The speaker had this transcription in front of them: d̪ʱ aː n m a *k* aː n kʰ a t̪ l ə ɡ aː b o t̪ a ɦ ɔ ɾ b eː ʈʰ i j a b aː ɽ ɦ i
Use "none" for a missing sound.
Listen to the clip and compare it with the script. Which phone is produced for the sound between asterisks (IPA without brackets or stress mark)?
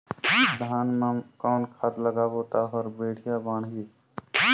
k